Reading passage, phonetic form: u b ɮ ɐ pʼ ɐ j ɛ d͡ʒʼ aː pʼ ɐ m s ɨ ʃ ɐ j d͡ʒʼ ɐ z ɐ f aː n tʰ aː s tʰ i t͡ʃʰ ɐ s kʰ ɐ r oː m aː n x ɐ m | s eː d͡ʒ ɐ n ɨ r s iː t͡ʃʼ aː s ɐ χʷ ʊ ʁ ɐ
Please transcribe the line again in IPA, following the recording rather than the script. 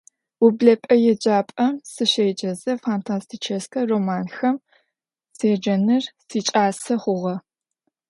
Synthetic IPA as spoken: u b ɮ ɐ pʼ ɐ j ɛ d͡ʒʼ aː pʼ ɐ m s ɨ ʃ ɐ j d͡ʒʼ ɐ z ɐ f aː n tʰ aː s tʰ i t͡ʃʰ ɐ s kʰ ɐ r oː m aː n x ɐ m | s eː d͡ʒ ɐ n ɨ r s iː t͡ʃʼ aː s ɐ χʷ ʊ ʁ ɐ

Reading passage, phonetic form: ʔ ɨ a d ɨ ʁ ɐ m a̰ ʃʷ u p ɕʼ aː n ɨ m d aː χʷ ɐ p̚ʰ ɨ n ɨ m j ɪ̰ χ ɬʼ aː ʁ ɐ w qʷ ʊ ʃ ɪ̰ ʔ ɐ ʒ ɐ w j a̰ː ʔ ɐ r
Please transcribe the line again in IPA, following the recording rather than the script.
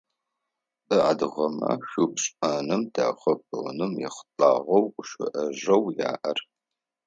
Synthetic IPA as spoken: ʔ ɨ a d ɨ ʁ ɐ m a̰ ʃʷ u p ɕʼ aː n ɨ m d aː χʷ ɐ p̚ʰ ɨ n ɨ m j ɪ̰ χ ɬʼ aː ʁ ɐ w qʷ ʊ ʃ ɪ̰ ʔ ɐ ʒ ɐ w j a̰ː ʔ ɐ r

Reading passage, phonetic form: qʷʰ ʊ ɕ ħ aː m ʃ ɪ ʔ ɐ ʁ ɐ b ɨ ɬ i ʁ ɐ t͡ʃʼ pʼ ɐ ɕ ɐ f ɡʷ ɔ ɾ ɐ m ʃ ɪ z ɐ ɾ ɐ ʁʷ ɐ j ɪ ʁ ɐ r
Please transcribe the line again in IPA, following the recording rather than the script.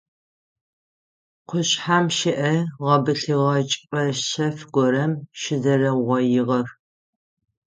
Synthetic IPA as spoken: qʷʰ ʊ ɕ ħ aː m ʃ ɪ ʔ ɐ ʁ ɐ b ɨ ɬ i ʁ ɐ t͡ʃʼ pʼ ɐ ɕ ɐ f ɡʷ ɔ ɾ ɐ m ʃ ɪ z ɐ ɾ ɐ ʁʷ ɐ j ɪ ʁ ɐ r

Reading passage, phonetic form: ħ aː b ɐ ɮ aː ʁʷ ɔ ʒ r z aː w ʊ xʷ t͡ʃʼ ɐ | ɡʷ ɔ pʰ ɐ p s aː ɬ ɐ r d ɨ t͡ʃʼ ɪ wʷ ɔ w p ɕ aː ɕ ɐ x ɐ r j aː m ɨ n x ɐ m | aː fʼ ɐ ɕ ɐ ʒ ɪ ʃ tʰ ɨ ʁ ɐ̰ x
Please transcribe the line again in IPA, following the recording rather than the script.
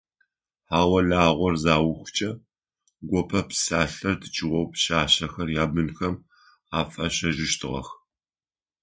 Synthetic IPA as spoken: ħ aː w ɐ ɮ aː ʁʷ ɔ r z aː w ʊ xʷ t͡ʃʼ ɐ | ɡʷ ɔ pʰ ɐ p s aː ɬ ɐ r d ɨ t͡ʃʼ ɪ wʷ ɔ w p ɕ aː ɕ ɐ x ɐ r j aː b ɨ n x ɐ m | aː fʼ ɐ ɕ ɐ ʒ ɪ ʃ tʰ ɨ ʁ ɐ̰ x

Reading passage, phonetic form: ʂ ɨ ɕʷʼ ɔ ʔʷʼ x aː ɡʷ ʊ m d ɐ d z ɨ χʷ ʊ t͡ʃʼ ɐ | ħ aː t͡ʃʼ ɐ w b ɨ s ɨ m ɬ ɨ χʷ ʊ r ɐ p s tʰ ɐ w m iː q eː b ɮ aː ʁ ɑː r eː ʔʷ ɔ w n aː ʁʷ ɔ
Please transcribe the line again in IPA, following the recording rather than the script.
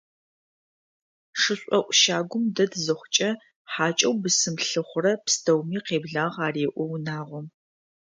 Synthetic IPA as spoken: ʂ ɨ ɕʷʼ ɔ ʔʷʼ ʃ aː ɡʷ ʊ m d ɐ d z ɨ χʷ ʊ t͡ʃʼ ɐ | ħ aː t͡ʃʼ ɐ w b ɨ s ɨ m ɬ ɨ χʷ ʊ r ɐ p s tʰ ɐ w m iː q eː b ɮ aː ʁ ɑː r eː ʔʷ ɔ w n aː ʁʷ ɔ

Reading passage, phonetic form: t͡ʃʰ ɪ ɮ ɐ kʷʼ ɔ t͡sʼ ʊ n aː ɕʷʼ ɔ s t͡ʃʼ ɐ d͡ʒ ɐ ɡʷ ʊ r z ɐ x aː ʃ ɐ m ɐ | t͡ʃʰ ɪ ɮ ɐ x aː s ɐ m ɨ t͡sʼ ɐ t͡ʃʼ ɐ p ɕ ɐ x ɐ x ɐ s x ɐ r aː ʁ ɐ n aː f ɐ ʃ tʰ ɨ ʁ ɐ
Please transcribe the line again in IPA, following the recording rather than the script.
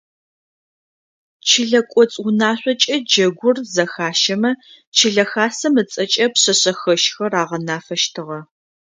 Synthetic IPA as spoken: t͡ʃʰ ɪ ɮ ɐ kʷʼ ɔ t͡sʼ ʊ n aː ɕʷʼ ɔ t͡ʃʼ ɐ d͡ʒ ɐ ɡʷ ʊ r z ɐ x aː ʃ ɐ m ɐ | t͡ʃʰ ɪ ɮ ɐ x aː s ɐ m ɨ t͡sʼ ɐ t͡ʃʼ ɐ p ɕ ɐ ɕ ɐ x ɐ ʃ x ɐ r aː ʁ ɐ n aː f ɐ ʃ tʰ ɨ ʁ ɐ

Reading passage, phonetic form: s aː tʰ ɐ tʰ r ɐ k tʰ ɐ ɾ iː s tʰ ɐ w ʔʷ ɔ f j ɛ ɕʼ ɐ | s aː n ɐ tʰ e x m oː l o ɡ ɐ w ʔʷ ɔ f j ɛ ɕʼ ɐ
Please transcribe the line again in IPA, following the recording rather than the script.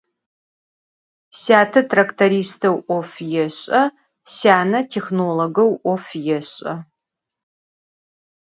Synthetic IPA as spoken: s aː tʰ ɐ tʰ r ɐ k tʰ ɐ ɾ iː s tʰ ɐ w ʔʷ ɔ f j ɛ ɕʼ ɐ | s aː n ɐ tʰ e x n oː l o ɡ ɐ w ʔʷ ɔ f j ɛ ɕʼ ɐ

